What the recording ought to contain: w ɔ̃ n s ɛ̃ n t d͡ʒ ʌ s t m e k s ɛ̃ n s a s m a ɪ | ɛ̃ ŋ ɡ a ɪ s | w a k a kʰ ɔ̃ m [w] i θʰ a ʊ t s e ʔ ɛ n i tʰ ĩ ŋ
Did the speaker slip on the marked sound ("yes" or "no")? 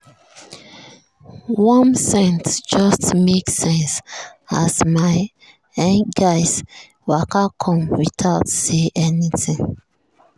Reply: no